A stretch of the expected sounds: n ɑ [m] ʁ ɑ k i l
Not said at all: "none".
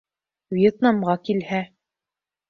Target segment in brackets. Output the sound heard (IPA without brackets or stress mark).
m